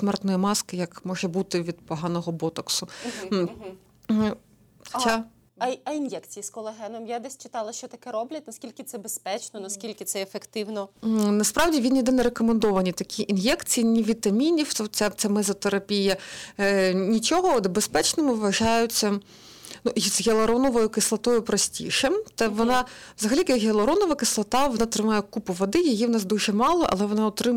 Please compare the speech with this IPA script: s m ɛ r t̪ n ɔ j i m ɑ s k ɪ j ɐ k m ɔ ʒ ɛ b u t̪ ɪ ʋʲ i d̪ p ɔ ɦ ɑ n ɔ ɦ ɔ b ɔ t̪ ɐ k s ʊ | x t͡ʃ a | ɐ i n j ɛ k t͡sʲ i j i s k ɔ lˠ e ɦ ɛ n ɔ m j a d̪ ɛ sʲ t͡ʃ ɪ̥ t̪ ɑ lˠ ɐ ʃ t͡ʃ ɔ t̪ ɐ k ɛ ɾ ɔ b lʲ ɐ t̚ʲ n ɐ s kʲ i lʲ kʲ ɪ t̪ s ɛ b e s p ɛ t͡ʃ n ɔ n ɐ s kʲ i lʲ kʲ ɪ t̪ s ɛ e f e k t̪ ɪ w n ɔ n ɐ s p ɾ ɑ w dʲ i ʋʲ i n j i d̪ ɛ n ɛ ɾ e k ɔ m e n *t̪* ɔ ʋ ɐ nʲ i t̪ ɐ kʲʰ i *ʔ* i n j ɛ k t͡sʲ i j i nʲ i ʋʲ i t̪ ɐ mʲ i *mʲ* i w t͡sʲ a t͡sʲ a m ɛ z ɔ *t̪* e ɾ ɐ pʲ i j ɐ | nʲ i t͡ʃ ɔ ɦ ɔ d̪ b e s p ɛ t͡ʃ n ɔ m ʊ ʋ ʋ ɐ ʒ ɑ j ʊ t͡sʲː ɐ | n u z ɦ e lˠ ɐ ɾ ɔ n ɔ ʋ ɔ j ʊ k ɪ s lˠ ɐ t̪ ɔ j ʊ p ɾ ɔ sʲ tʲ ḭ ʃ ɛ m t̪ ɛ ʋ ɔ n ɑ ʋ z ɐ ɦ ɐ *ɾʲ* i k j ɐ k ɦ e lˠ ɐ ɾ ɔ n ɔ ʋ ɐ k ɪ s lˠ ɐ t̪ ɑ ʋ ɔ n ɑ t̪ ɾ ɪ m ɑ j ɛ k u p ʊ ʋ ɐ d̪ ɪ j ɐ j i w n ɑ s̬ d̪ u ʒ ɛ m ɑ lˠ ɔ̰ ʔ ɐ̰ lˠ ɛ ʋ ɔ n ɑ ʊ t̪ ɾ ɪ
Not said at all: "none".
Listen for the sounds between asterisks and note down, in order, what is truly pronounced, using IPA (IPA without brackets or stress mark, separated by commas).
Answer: d̪, ʔ, nʲ, t̪, lʲ